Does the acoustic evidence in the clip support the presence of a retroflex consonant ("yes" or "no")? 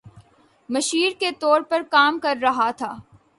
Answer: no